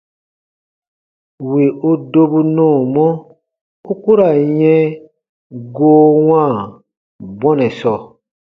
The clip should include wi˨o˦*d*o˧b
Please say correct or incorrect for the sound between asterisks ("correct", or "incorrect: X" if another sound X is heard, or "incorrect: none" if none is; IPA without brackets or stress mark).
correct